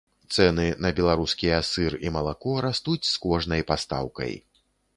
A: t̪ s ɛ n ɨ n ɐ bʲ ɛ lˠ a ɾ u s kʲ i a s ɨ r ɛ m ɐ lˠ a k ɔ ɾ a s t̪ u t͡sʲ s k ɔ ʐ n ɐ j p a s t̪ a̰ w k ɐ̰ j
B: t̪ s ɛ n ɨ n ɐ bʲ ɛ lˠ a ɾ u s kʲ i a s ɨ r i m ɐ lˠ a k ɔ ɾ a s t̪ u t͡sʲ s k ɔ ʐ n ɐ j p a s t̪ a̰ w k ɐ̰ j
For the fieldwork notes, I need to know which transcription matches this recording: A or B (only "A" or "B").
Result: B